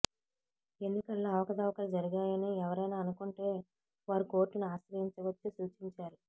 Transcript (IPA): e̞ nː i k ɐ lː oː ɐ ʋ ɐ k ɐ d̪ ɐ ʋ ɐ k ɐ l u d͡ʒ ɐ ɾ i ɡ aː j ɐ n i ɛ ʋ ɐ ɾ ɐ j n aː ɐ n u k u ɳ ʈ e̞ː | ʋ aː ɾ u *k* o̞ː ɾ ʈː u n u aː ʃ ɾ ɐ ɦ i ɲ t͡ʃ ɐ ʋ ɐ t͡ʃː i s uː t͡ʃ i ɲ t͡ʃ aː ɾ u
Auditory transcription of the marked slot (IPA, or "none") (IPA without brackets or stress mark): k